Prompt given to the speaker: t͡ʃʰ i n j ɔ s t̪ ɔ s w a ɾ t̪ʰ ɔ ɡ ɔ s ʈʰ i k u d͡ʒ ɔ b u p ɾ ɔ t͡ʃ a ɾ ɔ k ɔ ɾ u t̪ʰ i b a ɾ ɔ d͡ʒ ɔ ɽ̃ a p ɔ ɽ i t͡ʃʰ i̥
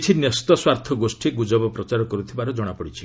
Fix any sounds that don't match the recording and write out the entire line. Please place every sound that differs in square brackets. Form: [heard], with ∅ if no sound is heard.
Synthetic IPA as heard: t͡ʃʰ i n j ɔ s t̪ ɔ s w a ɾ t̪ʰ ɔ ɡ [o] s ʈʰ i [ɡ] u d͡ʒ ɔ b [ɔ] p ɾ ɔ t͡ʃ a ɾ ɔ k ɔ ɾ u t̪ʰ i b a ɾ ɔ d͡ʒ ɔ ɽ̃ a p ɔ ɽ i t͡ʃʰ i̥